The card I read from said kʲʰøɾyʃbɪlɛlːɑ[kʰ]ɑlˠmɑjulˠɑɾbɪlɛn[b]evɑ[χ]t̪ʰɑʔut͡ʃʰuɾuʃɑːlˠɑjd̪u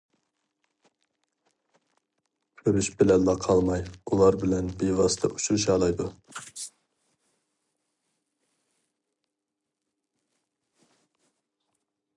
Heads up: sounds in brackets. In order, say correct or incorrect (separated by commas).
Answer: incorrect, correct, incorrect